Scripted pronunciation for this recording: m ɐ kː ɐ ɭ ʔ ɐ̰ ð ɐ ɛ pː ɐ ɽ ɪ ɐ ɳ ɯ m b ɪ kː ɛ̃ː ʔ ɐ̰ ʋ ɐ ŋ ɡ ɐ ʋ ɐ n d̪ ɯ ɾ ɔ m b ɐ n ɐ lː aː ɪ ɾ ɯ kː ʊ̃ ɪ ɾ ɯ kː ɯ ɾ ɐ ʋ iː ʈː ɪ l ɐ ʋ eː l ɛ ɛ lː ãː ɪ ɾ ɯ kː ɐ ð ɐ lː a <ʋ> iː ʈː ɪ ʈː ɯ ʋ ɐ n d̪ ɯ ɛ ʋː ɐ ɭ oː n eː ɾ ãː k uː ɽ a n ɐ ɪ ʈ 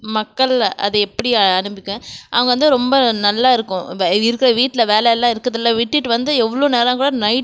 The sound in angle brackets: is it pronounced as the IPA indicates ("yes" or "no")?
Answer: yes